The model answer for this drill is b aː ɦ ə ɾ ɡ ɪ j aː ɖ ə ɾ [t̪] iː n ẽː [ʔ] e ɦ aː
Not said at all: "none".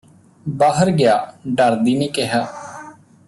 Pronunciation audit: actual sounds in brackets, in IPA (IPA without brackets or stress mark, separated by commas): d̪, k